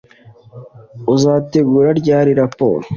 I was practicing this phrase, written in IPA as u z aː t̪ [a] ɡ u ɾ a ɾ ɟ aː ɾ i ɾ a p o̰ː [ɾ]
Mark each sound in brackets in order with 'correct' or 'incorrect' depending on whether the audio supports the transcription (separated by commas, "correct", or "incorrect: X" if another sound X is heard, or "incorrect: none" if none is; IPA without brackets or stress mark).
incorrect: e, correct